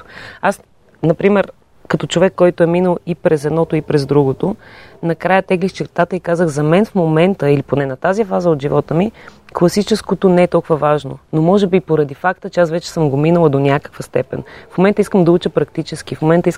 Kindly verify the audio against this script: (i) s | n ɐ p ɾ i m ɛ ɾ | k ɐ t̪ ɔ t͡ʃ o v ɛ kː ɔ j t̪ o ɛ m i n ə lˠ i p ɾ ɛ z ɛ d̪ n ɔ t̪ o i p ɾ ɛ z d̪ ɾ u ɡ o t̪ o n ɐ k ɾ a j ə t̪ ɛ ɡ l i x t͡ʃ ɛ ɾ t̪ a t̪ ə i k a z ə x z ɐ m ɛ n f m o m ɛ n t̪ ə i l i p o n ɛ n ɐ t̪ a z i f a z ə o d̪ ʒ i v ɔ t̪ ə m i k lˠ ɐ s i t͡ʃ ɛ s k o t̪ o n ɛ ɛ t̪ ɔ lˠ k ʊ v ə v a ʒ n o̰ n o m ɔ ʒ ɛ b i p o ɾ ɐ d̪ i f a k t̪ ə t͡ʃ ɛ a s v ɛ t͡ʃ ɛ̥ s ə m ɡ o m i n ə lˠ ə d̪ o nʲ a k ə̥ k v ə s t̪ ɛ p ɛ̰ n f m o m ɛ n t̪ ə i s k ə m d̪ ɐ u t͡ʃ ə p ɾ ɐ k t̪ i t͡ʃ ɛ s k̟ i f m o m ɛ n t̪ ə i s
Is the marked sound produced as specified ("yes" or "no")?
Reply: no